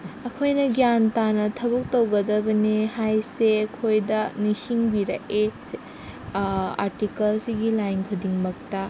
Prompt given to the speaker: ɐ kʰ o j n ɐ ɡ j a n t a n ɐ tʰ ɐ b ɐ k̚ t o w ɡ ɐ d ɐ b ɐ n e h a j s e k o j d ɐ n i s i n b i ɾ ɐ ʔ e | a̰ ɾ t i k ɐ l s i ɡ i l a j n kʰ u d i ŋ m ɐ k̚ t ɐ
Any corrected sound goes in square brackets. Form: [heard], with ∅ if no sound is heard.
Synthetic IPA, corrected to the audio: ɐ kʰ o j n ɐ ɡ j a n t a n ɐ tʰ ɐ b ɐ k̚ t o w ɡ ɐ d ɐ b ɐ n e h a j s e [kʰ] o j d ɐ n i s i [ŋ] b i ɾ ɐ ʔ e | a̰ ɾ t i k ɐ l s i ɡ i l a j n kʰ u d i ŋ m ɐ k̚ t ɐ